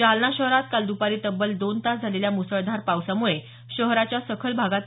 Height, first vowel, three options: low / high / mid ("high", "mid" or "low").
low